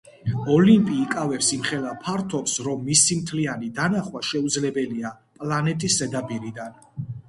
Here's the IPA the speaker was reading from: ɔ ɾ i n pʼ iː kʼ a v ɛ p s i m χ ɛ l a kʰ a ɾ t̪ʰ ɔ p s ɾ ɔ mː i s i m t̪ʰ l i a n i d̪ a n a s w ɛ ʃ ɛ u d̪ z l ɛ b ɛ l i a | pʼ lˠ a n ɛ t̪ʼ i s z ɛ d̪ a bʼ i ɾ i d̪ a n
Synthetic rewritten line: ɔ l i m pʼ iː kʼ a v ɛ p s i m χ ɛ l a pʰ a ɾ t̪ʰ ɔ p s ɾ ɔ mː i s i m t̪ʰ l i a n i d̪ a n a χ w a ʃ ɛ u d̪ z l ɛ b ɛ l i a | pʼ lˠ a n ɛ t̪ʼ i s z ɛ d̪ a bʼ i ɾ i d̪ a n